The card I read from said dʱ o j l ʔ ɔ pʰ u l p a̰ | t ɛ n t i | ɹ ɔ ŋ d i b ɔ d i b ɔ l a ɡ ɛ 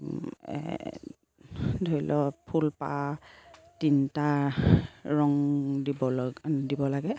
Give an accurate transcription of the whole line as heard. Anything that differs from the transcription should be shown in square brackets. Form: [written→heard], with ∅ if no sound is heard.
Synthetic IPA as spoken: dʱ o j l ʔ ɔ pʰ u l p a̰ | t [ɛ→i] n t [i→a] | ɹ ɔ ŋ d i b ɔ d i b ɔ l a ɡ ɛ